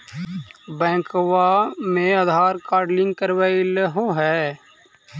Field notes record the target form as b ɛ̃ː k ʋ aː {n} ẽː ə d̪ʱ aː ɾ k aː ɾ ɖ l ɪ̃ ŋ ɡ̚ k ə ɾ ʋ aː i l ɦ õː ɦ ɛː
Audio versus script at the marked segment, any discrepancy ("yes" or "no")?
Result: yes